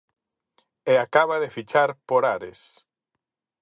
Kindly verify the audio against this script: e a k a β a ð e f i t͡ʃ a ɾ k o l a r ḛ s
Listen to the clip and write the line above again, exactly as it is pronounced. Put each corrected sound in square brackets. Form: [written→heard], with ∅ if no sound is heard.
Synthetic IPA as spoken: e a k a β a ð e f i t͡ʃ a ɾ [k→p] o [l→ɾ] a [r→ɾ] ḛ s